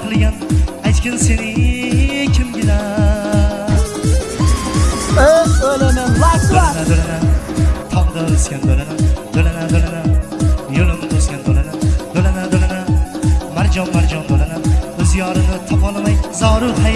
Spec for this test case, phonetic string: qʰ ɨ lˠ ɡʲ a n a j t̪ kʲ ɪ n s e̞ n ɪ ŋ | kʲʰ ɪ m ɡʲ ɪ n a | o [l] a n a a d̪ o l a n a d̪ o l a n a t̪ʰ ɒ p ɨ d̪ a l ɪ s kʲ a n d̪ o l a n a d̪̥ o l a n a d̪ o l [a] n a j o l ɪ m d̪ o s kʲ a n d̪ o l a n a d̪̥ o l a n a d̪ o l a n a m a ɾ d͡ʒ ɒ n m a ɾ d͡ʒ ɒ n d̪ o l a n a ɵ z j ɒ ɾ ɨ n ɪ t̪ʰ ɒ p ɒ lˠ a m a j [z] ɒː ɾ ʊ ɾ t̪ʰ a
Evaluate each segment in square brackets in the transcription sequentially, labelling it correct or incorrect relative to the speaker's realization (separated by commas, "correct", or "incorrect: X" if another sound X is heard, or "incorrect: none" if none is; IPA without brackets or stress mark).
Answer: correct, correct, correct